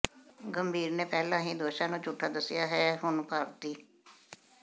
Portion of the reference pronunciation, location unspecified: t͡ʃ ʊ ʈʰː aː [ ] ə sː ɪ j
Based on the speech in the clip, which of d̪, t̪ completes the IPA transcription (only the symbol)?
d̪